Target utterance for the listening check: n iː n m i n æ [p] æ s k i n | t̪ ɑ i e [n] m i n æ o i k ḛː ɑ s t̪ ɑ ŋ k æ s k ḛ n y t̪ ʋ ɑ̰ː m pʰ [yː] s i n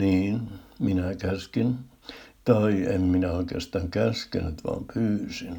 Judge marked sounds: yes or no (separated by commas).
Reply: no, no, yes